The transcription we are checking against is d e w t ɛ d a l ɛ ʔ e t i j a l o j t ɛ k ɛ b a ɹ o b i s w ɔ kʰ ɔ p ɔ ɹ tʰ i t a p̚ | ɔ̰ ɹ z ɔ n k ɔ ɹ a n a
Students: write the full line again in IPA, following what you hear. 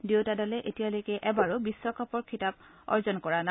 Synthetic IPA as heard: d e w t a d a l ɛ ʔ e t i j a l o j k ɛ ʔ ɛ b a ɹ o b i s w ɔ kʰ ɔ p ɔ ɹ kʰ i t a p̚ | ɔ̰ ɹ z ɔ n k ɔ ɹ a n a